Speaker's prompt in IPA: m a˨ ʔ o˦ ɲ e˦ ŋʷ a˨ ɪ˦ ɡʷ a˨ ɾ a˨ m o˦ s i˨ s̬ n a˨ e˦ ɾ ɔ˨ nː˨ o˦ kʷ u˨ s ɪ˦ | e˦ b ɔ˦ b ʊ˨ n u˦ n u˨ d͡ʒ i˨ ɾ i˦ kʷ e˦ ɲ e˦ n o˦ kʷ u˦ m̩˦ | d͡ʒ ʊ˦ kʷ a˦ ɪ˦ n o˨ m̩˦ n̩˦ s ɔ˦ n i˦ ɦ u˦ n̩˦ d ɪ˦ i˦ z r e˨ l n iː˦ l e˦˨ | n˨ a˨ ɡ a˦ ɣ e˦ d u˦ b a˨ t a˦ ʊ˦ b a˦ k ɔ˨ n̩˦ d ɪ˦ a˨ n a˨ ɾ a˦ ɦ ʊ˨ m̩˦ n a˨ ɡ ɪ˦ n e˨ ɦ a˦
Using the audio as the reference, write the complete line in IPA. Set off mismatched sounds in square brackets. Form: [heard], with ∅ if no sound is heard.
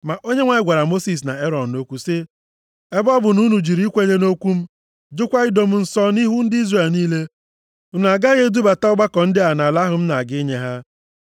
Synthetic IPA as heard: m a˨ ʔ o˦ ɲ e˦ ŋʷ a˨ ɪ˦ ɡʷ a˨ ɾ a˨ m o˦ s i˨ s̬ n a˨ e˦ ɾ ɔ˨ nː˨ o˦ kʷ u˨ s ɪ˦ | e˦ b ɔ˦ b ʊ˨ n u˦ n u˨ d͡ʒ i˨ ɾ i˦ kʷ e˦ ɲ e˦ n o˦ kʷ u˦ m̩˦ | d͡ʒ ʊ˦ kʷ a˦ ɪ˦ [d] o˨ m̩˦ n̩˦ s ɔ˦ n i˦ ɦ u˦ n̩˦ d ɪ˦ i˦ z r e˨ l n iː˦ l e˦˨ | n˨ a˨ ɡ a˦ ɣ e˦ d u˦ b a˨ t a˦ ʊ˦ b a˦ k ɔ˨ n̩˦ d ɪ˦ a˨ n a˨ [l] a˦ ɦ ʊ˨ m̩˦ n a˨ ɡ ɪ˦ [ɲ] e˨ ɦ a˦